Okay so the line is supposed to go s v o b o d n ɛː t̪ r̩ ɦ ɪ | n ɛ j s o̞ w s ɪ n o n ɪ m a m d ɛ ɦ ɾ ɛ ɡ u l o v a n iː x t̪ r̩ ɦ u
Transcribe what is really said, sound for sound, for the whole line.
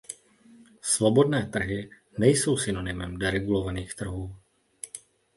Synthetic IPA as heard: s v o b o d n ɛː t̪ r̩ ɦ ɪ | n ɛ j s o̞ w s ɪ n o n ɪ m ɛ m d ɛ ɾ ɛ ɡ u l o v a n iː x t̪ r̩ ɦ uː